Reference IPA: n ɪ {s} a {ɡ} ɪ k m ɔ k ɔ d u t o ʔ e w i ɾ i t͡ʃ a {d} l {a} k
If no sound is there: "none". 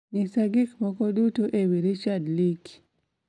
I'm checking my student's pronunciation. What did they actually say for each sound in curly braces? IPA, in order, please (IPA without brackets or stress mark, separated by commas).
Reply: s, ɡ, d, i